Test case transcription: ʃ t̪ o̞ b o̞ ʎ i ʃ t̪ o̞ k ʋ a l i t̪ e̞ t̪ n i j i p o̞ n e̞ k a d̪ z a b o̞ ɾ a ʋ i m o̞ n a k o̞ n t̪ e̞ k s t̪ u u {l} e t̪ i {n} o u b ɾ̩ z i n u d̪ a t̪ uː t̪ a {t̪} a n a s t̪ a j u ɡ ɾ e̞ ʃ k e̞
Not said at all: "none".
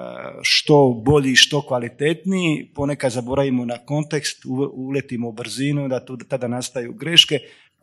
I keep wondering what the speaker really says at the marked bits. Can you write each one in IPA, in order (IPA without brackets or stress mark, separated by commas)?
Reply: l, m, d̪